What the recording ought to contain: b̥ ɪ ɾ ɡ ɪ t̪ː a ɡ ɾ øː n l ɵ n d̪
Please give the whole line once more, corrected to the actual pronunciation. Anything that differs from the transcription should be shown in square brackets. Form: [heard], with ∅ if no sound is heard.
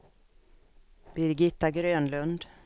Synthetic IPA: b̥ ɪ ɾ ɡ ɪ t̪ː a ɡ ɾ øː n l ɵ n d̪

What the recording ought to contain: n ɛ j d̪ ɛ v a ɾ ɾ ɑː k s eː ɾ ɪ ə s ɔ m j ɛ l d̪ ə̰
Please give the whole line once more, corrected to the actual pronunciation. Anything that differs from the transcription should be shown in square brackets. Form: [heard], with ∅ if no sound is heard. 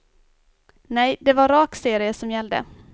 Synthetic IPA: n ɛ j d̪ ɛ v a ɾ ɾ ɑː k s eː ɾ ɪ ə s ɔ m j ɛ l d̪ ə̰

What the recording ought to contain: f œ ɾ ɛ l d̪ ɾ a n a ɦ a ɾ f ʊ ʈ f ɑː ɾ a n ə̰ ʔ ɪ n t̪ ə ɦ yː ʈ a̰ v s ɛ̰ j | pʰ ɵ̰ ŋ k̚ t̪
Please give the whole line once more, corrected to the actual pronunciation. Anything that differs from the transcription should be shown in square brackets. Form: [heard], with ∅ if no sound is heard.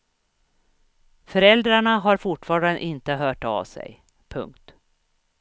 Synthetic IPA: f œ ɾ ɛ l d̪ ɾ a [ɳ] a ɦ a ɾ f ʊ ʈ f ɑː ɾ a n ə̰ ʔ ɪ n t̪ ə ɦ [œː] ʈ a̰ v s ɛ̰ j | pʰ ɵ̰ ŋ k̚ t̪

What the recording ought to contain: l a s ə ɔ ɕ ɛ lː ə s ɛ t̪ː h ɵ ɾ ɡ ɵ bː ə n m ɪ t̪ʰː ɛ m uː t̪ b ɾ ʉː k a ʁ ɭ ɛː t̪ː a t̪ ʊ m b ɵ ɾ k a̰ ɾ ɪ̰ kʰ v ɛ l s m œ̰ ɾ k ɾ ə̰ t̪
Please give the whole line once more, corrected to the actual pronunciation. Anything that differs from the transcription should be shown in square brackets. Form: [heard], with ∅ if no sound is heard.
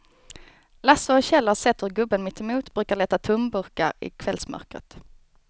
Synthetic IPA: l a s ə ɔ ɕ ɛ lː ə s ɛ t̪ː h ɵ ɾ ɡ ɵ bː ə n m ɪ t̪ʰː ɛ m uː t̪ b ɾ ʉː k a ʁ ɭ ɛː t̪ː a [t̪ʰ] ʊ m b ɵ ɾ k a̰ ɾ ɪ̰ kʰ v ɛ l s m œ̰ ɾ k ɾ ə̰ t̪

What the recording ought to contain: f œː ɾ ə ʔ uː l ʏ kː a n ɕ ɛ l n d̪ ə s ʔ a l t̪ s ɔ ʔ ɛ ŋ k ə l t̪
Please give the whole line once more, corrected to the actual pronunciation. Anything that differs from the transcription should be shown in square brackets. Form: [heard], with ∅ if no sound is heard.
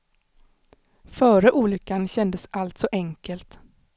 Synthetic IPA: f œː ɾ ə ʔ uː l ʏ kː a n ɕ ɛ [∅] n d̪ ə s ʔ a l t̪ s ɔ ʔ ɛ ŋ k ə l t̪

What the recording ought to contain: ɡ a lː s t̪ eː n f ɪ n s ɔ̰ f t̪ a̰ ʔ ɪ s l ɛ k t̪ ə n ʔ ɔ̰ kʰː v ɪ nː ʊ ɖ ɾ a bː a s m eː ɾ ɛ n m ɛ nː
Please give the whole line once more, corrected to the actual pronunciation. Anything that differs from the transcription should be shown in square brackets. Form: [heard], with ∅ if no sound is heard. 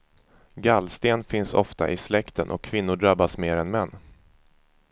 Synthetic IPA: ɡ a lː s t̪ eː n f ɪ n s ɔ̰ f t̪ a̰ ʔ ɪ s l ɛ k t̪ ə n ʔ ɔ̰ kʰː v ɪ nː ʊ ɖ ɾ a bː a s m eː ɾ ɛ n m ɛ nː

